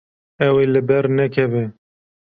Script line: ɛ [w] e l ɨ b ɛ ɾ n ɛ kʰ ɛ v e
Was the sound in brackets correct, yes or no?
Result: yes